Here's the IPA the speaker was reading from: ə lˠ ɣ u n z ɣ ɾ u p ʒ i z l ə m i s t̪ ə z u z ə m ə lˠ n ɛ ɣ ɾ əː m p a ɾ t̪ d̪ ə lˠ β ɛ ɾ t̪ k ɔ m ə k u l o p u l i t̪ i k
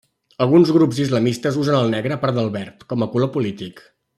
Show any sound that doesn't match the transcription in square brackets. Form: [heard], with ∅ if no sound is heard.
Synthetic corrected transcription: ə lˠ ɣ u n z ɣ ɾ u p [z] i z l ə m i s t̪ ə z u z ə [n] ə lˠ n ɛ ɣ ɾ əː [∅] p a ɾ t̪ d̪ ə lˠ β ɛ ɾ t̪ k ɔ m ə k u l o p u l i t̪ i k